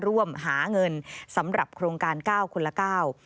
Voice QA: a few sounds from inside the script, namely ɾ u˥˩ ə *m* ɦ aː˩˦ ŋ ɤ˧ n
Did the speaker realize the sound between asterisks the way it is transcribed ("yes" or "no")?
yes